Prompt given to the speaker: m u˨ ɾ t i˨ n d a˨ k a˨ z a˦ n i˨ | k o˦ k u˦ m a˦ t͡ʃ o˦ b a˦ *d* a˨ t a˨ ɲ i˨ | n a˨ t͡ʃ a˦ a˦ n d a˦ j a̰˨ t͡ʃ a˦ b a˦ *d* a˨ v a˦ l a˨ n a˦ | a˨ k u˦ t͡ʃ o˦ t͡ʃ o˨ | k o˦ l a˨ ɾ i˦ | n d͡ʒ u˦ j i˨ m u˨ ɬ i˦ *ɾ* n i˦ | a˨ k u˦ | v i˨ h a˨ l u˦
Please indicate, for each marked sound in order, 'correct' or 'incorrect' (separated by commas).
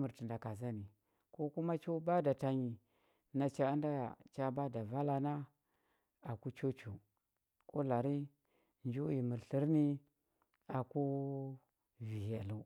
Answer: correct, correct, correct